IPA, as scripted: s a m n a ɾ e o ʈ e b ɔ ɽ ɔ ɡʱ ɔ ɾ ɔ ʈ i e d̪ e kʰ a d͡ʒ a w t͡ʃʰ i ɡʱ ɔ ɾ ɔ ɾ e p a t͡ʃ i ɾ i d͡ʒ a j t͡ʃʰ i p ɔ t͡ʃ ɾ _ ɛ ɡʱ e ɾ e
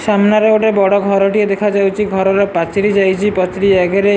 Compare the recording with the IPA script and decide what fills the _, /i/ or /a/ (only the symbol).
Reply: i